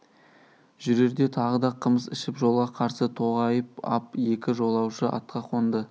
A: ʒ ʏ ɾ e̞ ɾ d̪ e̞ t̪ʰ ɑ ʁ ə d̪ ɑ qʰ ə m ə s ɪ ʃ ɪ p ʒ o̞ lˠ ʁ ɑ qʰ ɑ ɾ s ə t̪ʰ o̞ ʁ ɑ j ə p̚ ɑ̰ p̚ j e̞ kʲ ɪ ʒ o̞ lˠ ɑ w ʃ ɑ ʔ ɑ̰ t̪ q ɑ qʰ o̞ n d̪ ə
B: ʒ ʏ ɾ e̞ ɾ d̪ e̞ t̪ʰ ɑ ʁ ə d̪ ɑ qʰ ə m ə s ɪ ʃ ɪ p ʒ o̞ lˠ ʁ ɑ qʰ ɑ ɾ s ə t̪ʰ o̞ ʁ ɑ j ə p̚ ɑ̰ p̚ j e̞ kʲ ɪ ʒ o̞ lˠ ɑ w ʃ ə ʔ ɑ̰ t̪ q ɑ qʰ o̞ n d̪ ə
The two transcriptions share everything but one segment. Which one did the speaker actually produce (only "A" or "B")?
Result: B